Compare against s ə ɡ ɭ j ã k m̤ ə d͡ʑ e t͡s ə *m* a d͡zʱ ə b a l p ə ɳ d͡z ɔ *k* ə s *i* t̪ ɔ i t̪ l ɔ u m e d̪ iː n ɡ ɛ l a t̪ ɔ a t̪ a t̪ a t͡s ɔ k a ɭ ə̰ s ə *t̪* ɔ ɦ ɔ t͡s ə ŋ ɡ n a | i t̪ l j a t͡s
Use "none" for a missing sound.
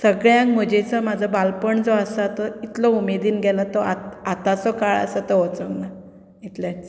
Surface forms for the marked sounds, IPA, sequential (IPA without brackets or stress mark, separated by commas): m, none, a, t̪